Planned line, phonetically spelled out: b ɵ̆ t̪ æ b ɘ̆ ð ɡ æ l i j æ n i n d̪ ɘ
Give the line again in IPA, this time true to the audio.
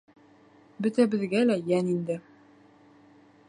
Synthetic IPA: b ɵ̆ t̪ æ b ɘ̆ ð ɡ æ l æ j æ n i n d̪ ɘ